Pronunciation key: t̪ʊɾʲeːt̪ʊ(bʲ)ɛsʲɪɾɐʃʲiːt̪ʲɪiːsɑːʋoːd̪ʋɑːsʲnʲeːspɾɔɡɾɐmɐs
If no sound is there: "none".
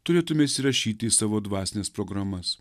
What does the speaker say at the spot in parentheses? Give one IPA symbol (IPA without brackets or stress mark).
mʲ